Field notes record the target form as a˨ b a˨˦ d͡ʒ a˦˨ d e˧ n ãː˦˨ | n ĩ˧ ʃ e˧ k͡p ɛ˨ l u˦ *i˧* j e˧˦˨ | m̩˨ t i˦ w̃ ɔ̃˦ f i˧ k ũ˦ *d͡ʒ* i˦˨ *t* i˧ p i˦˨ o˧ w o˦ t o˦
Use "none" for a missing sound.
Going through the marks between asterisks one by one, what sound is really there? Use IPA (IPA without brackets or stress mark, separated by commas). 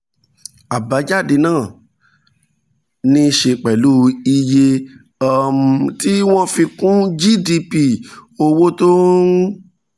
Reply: i˧, d͡ʒ, d